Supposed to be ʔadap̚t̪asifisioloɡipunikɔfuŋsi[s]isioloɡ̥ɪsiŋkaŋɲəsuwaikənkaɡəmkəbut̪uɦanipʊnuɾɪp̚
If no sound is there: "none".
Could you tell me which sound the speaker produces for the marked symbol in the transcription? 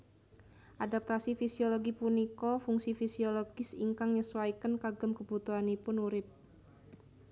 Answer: f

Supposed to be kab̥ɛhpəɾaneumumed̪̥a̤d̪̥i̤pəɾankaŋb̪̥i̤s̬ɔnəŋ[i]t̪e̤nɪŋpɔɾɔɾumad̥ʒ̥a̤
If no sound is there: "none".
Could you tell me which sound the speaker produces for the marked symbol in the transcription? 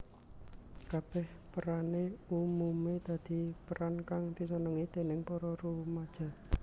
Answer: i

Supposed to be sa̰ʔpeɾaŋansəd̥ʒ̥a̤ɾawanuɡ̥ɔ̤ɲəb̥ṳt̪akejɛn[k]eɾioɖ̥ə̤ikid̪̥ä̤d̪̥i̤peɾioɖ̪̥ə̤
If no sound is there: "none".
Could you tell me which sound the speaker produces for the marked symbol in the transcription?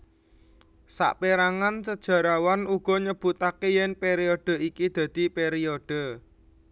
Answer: p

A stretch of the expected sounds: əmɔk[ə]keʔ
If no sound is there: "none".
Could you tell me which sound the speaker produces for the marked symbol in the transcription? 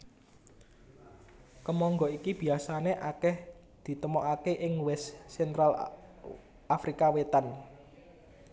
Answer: a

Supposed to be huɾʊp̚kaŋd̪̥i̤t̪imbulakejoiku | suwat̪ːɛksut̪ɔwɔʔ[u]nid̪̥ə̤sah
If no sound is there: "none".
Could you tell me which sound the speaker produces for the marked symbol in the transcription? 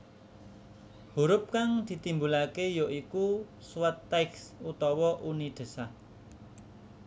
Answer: u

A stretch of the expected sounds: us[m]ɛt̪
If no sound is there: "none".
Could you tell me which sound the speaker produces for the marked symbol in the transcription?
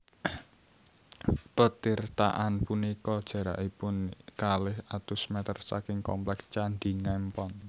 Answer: m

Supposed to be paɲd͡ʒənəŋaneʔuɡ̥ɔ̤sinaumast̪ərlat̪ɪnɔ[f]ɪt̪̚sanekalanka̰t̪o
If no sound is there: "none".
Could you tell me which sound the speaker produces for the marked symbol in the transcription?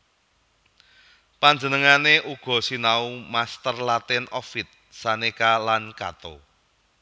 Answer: f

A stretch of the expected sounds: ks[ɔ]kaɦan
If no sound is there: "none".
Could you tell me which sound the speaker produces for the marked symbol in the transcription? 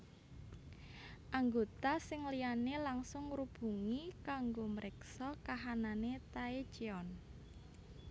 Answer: ɔ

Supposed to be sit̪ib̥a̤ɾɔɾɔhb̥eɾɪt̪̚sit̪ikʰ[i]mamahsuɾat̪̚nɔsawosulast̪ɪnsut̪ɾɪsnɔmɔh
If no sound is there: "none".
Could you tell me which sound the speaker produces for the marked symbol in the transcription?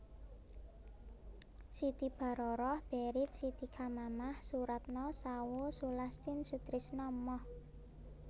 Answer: a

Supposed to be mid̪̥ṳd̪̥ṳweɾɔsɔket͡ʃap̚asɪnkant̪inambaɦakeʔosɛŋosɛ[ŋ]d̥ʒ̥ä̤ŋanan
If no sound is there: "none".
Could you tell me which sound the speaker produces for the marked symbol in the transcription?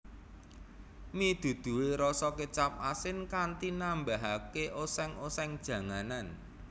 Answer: ŋ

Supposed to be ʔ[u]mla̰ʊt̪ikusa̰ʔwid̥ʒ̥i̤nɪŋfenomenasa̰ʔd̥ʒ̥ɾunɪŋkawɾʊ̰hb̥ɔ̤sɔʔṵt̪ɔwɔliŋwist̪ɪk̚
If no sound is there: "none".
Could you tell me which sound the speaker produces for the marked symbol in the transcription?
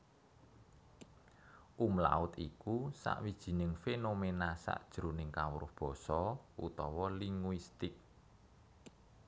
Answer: u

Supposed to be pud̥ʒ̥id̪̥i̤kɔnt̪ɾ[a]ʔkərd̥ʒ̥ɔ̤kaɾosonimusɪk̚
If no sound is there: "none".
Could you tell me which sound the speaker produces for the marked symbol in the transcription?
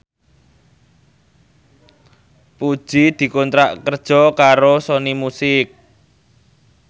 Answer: a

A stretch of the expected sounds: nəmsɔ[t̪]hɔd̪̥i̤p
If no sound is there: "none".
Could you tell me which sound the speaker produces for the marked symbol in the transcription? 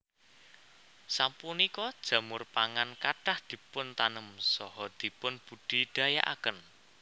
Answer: none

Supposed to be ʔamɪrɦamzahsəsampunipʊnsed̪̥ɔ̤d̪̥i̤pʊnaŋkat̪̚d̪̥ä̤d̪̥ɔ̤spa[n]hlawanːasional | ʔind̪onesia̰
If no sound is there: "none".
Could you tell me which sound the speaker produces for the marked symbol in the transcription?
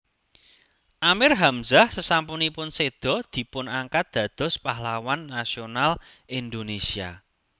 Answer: none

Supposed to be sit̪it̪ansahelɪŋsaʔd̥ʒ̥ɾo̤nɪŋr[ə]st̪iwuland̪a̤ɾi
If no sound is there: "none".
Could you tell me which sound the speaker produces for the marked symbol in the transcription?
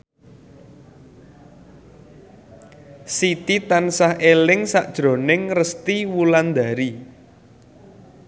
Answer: ə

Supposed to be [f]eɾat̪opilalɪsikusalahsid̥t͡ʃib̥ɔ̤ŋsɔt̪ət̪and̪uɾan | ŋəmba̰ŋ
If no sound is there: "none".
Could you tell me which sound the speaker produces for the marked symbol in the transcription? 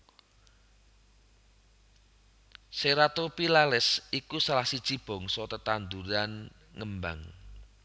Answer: s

